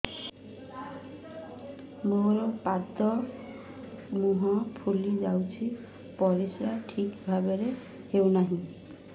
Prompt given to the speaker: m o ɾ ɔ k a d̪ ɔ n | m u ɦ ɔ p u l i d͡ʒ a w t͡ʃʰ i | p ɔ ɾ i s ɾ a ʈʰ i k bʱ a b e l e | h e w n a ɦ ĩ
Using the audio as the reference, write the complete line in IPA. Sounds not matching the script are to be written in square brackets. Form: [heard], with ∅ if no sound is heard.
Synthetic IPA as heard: m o ɾ ɔ [p] a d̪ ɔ [∅] | m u ɦ ɔ [pʰ] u l i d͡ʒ a w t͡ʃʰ i | p ɔ ɾ i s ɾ a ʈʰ i k bʱ a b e [ɾ] e | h e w n a ɦ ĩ